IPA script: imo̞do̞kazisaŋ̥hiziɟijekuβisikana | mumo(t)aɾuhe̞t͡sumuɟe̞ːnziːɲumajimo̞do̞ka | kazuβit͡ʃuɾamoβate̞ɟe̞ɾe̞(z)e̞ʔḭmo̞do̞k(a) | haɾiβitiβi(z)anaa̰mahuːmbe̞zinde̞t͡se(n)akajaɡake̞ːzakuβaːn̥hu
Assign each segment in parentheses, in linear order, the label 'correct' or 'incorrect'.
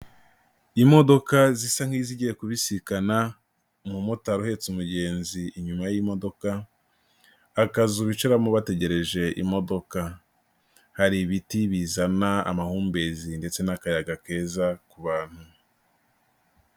correct, incorrect: ʒ, correct, correct, correct

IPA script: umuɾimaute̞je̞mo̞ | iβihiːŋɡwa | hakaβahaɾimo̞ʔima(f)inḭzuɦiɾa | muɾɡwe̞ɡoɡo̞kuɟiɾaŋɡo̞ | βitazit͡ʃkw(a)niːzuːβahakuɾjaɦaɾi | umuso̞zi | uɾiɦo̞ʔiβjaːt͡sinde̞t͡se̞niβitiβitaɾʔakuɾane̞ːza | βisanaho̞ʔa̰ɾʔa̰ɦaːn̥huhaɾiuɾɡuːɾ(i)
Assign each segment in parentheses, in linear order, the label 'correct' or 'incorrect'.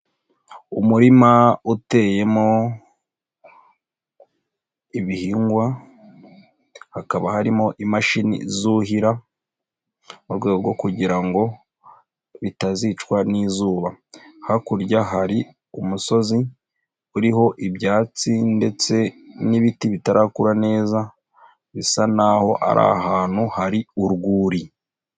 incorrect: ʃ, correct, correct

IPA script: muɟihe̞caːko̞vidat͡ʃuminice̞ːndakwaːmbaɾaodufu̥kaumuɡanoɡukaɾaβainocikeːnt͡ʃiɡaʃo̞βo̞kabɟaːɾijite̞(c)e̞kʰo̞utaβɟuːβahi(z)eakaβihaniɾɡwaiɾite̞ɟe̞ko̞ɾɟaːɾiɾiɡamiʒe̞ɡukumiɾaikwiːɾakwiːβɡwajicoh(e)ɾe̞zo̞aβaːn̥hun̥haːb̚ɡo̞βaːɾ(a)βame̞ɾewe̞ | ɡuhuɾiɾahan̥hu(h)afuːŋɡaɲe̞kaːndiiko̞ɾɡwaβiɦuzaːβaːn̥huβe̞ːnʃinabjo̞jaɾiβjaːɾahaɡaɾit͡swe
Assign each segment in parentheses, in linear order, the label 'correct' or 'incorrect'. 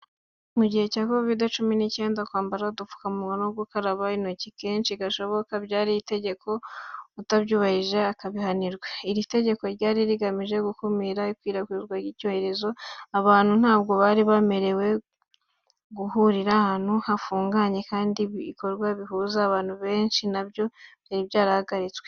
incorrect: ɟ, incorrect: ʒ, correct, incorrect: i, correct

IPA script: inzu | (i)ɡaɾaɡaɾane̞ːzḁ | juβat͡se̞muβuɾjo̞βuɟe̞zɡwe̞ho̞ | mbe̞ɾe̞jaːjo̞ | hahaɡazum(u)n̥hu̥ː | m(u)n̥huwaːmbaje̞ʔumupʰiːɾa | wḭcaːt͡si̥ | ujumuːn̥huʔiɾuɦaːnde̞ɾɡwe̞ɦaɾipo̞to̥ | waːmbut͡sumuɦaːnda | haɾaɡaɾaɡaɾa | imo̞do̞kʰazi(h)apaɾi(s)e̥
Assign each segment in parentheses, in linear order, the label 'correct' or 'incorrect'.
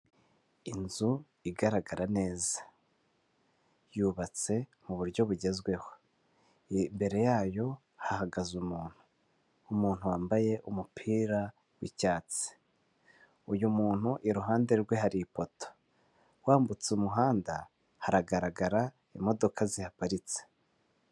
correct, incorrect: uː, incorrect: uː, correct, incorrect: t͡s

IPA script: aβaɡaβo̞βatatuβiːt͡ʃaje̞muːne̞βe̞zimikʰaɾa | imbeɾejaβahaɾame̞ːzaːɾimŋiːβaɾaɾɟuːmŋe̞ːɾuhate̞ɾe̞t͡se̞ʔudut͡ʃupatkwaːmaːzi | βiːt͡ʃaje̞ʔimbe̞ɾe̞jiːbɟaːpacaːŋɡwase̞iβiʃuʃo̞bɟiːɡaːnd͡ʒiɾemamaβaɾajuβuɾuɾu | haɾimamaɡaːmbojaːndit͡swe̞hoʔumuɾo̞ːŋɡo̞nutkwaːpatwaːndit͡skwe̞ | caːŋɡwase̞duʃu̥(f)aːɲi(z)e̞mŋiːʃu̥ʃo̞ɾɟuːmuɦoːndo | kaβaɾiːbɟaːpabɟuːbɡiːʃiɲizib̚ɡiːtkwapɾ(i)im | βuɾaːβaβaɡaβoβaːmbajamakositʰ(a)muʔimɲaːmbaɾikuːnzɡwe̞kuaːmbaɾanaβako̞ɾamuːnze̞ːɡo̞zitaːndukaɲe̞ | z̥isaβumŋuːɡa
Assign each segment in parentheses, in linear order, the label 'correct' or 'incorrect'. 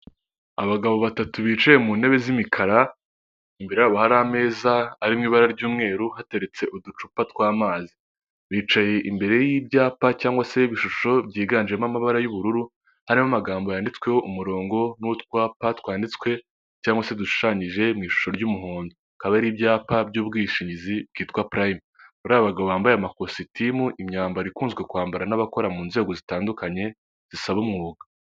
incorrect: ʃ, incorrect: ʒ, incorrect: a, incorrect: i

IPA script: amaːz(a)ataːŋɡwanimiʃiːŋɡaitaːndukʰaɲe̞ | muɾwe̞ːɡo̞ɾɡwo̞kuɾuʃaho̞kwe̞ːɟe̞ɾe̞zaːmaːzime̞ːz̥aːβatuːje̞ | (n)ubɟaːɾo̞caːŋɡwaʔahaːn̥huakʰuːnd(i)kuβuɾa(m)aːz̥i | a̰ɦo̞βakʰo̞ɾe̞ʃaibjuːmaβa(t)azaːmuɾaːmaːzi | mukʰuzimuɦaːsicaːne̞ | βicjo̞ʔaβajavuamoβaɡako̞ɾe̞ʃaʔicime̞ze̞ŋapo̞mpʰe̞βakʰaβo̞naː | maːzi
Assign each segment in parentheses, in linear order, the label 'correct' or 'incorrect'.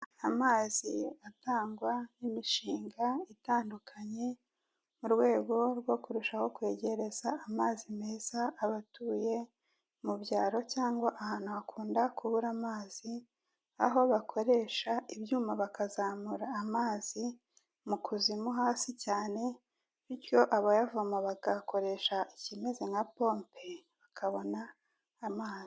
incorrect: i, incorrect: m, incorrect: a, correct, incorrect: k

